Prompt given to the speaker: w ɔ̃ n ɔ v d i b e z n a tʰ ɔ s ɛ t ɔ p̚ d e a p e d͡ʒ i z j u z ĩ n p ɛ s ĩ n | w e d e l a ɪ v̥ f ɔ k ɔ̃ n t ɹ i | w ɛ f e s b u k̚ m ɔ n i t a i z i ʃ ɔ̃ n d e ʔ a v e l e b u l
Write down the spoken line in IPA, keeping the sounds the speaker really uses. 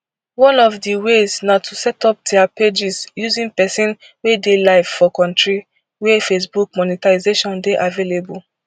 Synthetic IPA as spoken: w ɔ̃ n ɔ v d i w e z n a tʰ u s ɛ t ɔ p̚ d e a p e d͡ʒ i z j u z ĩ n p ɛ s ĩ n | w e d e l a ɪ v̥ f ɔ k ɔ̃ n t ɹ i | w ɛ f e s b u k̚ m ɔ n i t a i z e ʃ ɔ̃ n d e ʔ a v e l e b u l